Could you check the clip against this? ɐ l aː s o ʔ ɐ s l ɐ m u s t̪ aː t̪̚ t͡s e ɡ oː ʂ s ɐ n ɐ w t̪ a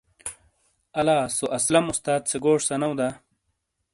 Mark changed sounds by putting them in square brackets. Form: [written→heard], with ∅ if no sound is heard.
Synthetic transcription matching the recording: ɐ l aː s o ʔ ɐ s l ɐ m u s t̪ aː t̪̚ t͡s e ɡ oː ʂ s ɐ n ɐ w [t̪→d̪] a